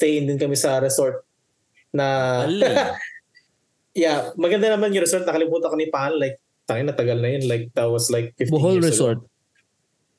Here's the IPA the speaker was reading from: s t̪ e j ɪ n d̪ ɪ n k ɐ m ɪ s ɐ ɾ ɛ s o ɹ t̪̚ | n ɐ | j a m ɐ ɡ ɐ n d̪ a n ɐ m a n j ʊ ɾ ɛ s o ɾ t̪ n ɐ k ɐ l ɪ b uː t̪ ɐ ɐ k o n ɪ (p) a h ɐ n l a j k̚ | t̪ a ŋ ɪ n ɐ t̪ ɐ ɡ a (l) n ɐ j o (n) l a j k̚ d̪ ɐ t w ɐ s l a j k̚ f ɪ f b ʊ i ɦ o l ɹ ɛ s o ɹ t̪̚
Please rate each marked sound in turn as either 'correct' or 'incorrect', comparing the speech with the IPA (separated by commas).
correct, correct, correct